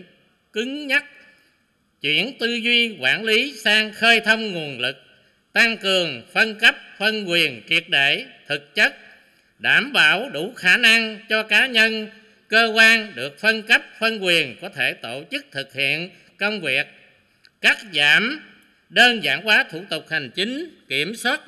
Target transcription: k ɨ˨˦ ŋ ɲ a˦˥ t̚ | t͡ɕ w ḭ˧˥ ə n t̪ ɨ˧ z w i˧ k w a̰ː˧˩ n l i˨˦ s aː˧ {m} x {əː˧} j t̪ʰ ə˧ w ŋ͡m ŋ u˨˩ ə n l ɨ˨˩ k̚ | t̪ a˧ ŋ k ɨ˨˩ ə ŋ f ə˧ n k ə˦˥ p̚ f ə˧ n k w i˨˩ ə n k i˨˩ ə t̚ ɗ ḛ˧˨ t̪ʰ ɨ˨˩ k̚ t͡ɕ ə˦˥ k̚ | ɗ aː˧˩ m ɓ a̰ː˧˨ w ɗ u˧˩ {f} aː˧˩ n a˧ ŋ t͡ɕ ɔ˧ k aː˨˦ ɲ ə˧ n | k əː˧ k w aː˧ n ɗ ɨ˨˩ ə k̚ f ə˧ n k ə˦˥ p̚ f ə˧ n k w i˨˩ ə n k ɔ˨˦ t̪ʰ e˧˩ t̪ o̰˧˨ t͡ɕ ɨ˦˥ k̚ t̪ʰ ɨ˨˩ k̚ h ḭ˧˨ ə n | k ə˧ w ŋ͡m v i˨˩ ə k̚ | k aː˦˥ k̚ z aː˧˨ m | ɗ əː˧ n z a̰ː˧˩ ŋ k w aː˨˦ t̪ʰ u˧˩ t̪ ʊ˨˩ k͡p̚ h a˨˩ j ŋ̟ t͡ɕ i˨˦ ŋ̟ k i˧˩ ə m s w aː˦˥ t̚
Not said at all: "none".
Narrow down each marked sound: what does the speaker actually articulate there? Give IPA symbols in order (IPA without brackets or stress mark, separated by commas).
ŋ, əː˧, x